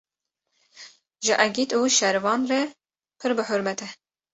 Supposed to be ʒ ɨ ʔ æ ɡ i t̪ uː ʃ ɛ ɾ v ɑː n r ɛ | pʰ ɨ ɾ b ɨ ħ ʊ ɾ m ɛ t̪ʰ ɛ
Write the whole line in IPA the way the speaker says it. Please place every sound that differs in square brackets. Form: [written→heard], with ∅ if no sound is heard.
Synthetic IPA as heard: ʒ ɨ ʔ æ ɡ i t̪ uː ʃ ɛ ɾ v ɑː n r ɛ | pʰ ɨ ɾ b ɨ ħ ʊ ɾ m ɛ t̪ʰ ɛ